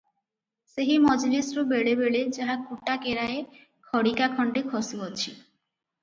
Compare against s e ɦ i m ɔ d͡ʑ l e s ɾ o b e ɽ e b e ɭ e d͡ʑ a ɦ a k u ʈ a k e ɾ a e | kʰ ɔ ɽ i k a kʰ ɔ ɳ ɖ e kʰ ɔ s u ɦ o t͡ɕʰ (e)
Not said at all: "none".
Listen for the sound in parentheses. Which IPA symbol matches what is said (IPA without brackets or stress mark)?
i